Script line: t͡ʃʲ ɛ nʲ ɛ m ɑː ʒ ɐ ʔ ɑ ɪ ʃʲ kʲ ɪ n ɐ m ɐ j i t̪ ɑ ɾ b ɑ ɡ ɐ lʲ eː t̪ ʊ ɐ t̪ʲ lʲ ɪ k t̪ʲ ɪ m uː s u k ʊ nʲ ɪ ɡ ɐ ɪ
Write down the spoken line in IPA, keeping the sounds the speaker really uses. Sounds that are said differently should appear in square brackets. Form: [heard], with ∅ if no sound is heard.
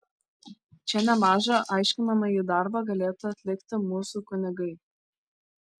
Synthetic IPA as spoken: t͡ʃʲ ɛ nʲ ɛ m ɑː ʒ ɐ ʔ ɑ ɪ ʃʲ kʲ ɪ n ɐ m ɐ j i [d̪] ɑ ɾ b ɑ ɡ ɐ lʲ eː t̪ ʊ ɐ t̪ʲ lʲ ɪ k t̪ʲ ɪ m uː s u k ʊ nʲ ɪ ɡ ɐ ɪ